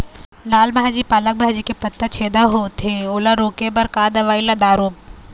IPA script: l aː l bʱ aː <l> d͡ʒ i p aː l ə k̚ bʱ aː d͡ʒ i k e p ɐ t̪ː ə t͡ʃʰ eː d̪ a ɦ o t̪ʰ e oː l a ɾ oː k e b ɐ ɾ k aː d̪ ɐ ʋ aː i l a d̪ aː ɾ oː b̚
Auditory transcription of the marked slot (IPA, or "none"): none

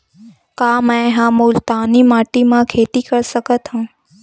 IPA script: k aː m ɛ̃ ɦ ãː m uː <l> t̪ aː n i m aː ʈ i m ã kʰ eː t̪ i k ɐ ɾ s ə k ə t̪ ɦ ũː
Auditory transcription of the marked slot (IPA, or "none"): l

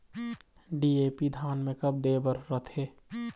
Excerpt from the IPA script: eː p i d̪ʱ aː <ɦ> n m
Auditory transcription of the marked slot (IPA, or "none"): none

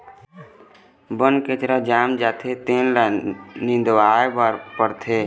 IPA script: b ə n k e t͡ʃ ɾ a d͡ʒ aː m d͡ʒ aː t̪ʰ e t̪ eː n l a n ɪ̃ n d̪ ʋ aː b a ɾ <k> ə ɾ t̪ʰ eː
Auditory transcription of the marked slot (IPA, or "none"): p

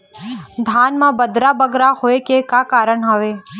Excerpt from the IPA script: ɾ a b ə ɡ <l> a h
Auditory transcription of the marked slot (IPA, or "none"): ɾ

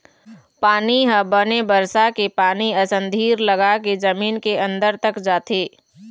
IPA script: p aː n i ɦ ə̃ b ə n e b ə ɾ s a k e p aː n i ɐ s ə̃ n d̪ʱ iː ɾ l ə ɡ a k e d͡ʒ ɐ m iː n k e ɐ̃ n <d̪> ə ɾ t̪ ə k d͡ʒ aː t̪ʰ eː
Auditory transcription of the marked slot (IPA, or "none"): d̪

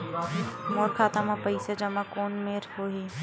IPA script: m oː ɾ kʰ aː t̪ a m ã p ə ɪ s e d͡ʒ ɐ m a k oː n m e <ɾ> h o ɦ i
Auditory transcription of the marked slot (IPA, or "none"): ɾ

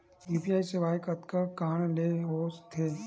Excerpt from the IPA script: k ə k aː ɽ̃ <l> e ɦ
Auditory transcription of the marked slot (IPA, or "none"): l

